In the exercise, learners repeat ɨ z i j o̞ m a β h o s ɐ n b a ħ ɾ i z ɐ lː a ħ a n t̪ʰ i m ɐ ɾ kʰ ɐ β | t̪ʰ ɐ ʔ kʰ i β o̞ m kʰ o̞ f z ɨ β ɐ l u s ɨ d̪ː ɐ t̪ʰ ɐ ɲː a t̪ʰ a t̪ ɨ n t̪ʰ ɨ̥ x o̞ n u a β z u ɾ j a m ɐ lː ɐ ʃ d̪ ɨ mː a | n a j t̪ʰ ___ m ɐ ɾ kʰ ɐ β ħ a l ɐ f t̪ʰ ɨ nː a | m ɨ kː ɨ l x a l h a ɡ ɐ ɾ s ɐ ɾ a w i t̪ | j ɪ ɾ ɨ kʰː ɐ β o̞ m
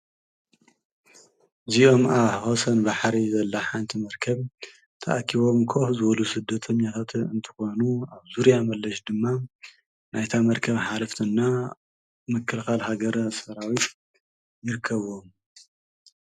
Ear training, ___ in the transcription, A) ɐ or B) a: B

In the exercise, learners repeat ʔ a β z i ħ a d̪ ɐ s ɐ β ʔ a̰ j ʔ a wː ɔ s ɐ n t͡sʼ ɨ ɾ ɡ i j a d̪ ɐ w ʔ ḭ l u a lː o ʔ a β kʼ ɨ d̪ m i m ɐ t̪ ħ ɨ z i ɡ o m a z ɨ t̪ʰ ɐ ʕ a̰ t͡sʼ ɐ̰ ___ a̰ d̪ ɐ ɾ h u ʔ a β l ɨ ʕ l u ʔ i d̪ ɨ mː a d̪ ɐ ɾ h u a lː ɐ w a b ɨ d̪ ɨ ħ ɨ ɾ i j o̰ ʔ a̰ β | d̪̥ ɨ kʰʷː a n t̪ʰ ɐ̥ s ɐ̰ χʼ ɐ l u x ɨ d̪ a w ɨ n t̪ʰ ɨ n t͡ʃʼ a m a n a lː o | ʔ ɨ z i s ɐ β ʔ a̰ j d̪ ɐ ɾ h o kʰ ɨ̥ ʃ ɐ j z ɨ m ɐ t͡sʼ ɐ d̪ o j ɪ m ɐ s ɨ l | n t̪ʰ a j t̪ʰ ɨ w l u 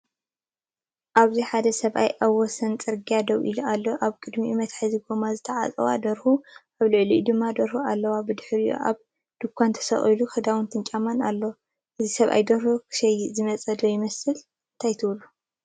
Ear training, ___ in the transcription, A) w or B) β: A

